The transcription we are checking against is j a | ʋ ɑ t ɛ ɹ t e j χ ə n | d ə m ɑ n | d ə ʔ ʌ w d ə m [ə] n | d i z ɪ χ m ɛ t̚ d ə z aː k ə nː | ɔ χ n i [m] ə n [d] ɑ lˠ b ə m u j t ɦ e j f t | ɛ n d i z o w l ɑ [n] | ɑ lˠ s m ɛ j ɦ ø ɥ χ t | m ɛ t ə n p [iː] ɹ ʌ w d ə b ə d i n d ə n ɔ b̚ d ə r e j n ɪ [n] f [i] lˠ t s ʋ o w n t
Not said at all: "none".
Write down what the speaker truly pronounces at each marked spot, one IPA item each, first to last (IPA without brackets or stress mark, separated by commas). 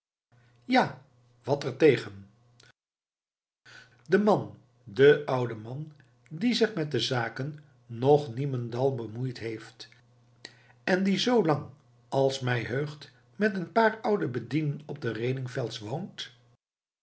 ɑ, m, d, ŋ, aː, ŋ, ɛ